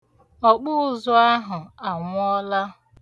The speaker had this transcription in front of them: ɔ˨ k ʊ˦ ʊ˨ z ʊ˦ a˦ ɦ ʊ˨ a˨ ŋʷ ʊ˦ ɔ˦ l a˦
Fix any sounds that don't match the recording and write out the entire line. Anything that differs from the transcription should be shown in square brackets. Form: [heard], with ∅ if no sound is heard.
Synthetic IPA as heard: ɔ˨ [k͡p] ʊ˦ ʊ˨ z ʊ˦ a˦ ɦ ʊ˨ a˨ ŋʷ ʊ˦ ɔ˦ l a˦